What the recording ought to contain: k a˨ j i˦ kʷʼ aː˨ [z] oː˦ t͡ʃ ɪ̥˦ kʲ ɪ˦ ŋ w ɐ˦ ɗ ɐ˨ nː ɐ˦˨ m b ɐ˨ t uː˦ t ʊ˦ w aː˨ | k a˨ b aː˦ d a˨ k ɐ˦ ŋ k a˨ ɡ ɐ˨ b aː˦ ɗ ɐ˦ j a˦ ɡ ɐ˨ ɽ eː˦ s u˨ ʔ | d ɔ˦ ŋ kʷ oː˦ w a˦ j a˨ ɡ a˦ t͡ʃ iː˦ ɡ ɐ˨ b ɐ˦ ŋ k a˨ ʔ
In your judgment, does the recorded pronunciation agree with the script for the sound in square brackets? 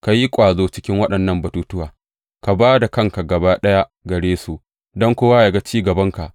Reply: yes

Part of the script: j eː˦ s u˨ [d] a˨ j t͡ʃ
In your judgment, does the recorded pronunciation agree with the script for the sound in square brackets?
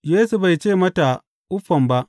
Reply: no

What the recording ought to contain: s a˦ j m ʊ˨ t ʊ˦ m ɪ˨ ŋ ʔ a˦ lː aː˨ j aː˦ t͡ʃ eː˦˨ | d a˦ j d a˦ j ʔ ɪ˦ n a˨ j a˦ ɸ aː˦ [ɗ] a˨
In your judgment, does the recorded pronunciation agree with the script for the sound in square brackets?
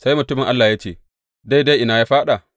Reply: yes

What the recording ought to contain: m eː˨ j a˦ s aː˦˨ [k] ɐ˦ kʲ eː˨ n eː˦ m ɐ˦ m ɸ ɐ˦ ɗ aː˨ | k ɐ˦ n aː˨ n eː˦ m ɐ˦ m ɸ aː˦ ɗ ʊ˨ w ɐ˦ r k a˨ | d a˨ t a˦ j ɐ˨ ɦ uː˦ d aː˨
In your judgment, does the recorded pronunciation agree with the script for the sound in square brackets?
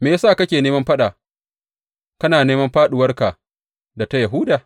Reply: yes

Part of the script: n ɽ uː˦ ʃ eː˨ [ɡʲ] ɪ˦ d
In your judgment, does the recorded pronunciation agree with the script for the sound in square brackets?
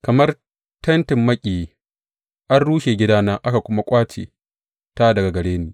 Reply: yes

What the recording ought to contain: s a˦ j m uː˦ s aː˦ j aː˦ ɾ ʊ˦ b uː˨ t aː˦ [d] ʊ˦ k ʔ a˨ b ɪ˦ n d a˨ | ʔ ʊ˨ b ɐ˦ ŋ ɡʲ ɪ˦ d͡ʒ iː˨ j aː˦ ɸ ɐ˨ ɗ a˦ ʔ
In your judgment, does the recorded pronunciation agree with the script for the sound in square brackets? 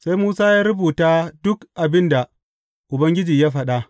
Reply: yes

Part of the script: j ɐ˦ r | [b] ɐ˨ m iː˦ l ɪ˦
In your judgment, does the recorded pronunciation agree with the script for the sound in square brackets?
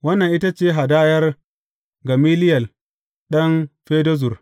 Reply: no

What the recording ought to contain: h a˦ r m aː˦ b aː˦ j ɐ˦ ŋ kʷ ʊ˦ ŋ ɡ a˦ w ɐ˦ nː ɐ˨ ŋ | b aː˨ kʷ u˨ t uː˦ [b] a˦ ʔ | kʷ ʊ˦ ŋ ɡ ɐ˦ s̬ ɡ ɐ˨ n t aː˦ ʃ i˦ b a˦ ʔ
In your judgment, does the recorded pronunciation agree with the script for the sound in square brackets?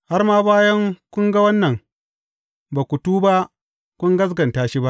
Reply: yes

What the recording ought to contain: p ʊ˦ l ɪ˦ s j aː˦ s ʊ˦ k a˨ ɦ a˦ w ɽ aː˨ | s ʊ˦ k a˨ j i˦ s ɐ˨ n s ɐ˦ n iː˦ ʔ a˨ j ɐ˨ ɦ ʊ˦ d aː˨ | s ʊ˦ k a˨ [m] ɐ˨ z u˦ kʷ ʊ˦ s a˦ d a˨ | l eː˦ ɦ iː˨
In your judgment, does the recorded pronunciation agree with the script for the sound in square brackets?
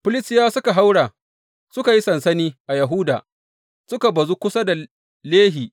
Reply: no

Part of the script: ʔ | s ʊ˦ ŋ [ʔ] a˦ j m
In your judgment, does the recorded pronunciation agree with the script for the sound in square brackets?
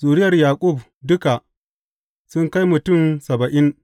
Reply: no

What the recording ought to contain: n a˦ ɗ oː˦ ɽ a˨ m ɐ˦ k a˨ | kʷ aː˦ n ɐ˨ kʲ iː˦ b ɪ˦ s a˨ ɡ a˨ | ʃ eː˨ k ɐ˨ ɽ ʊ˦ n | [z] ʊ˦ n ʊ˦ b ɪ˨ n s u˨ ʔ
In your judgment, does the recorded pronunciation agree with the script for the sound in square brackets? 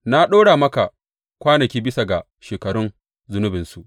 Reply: yes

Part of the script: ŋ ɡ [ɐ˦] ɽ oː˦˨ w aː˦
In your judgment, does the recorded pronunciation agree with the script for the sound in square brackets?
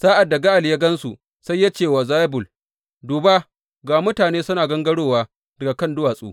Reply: yes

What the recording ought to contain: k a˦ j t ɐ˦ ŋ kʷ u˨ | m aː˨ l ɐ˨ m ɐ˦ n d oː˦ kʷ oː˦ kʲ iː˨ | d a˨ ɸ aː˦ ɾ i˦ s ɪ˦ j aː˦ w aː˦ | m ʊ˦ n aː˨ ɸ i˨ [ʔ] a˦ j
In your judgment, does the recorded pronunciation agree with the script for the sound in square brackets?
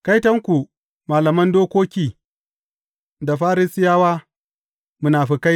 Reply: no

